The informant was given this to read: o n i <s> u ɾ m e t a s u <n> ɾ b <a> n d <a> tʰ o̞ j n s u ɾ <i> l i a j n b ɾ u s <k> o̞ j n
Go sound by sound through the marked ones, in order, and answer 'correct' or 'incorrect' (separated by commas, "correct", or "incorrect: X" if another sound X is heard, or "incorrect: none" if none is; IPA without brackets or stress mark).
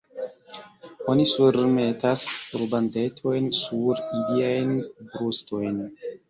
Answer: correct, incorrect: none, correct, incorrect: e, correct, incorrect: t